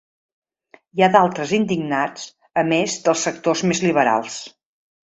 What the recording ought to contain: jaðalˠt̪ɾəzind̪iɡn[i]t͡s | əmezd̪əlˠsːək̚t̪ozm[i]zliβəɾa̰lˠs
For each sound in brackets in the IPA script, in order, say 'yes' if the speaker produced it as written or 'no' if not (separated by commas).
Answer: no, no